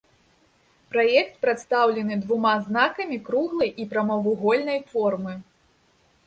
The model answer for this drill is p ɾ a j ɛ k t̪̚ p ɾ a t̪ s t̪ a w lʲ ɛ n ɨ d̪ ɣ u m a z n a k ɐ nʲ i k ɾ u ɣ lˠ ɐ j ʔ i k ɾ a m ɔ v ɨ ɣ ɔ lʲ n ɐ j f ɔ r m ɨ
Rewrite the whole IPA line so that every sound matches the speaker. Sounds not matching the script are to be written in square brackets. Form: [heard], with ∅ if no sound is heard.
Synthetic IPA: p ɾ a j ɛ k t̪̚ p ɾ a t̪ s t̪ a w lʲ ɛ n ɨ d̪ [v] u m a z n a k ɐ [mʲ] i k ɾ u ɣ lˠ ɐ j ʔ i [p] ɾ a m ɔ v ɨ ɣ ɔ lʲ n ɐ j f ɔ r m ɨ